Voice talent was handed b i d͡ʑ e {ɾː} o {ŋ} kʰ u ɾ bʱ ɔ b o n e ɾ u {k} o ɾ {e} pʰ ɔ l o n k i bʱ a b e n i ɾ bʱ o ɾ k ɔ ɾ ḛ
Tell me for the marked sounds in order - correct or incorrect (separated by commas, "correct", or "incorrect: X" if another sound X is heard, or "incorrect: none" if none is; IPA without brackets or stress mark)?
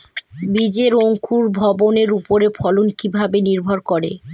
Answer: incorrect: ɾ, correct, incorrect: p, correct